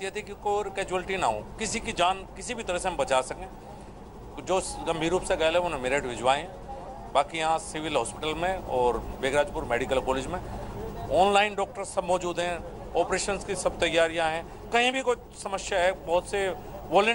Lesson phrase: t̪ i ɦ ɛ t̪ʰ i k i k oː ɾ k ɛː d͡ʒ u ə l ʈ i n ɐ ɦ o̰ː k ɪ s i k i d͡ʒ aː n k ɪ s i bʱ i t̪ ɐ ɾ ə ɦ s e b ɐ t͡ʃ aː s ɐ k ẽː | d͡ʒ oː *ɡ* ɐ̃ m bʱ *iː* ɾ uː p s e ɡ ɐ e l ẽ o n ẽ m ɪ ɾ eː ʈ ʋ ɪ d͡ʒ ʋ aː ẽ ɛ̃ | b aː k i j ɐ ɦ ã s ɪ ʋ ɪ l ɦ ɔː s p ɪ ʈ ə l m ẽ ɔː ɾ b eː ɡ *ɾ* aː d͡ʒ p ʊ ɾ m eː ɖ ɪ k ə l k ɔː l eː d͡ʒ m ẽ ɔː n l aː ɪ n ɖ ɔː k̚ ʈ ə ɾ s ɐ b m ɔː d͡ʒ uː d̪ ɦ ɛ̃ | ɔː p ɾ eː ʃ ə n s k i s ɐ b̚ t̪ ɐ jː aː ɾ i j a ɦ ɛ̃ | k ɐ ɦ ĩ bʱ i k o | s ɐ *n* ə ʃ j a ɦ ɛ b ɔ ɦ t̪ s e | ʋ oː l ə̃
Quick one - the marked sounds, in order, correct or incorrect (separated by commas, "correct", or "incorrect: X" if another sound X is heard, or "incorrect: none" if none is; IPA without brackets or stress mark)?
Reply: correct, correct, correct, incorrect: m